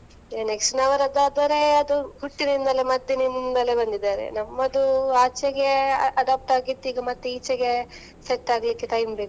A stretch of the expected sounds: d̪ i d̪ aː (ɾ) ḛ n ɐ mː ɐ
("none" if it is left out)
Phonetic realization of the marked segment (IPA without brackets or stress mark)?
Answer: ɾ